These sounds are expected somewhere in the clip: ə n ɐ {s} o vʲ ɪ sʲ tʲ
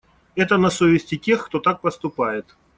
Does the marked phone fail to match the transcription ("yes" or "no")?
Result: no